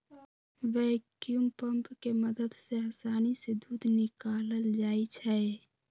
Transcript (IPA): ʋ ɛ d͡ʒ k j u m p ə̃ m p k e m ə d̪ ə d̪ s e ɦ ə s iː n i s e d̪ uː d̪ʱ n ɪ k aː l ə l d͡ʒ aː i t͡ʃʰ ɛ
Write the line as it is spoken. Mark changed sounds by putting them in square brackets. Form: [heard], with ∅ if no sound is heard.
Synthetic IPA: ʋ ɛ [∅] k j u m p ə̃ m p k e m ə d̪ ə d̪ s e ɦ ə s [aː] n i s e d̪ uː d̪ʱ n ɪ k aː l ə l d͡ʒ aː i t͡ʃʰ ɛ